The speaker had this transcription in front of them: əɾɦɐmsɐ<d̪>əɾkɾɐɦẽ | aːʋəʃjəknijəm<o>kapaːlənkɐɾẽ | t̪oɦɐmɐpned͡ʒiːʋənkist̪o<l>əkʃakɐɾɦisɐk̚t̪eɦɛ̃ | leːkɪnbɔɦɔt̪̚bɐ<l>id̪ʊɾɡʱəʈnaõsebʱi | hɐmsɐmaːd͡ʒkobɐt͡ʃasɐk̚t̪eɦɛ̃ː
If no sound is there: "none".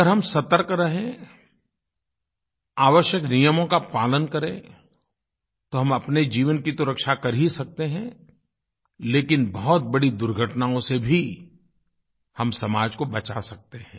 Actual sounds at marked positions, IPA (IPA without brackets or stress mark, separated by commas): t̪, õ, ɾ, ɽ